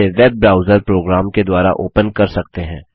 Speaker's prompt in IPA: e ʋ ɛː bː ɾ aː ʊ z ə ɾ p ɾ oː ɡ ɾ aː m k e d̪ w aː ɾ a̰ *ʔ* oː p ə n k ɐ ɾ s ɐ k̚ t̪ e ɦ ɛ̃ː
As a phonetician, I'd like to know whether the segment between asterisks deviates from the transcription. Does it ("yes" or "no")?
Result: no